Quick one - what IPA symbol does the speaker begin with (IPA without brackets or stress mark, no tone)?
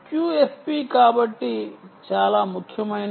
k